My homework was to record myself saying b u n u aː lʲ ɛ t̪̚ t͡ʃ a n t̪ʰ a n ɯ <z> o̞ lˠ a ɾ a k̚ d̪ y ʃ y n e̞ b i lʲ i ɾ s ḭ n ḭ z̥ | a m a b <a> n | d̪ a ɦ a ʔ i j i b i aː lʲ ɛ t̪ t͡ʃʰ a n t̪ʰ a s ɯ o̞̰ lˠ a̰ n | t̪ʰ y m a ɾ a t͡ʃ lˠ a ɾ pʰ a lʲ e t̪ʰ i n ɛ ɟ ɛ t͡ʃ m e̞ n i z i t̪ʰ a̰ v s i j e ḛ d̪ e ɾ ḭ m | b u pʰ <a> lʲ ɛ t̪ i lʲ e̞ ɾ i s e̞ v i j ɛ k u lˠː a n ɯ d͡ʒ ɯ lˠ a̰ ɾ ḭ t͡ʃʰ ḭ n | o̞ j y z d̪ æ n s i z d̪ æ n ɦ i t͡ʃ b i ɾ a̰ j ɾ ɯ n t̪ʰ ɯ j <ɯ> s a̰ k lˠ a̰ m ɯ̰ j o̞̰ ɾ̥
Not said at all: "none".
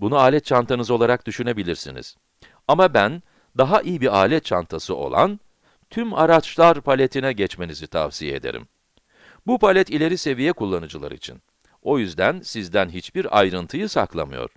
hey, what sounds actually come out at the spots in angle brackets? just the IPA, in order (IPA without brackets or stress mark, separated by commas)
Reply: z, æ, a, ɯ